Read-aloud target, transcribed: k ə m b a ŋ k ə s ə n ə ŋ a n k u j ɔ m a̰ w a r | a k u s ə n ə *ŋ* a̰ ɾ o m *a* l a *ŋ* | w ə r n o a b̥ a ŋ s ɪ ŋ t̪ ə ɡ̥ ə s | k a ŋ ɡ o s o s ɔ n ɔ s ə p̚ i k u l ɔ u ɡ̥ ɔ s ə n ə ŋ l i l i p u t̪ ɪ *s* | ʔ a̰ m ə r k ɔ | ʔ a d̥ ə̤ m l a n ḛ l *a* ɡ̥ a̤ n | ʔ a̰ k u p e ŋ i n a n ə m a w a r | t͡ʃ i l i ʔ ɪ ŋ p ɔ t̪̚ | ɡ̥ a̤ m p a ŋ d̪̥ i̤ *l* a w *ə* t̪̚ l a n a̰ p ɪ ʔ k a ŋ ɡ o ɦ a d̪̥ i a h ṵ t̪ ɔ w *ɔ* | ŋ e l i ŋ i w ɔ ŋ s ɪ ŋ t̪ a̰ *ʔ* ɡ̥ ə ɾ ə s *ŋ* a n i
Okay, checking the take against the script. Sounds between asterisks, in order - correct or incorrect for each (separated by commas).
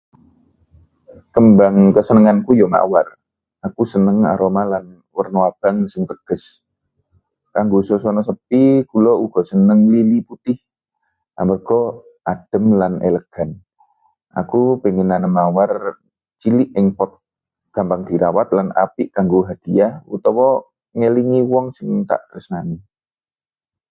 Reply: correct, correct, incorrect, incorrect, incorrect, incorrect, incorrect, correct, correct, incorrect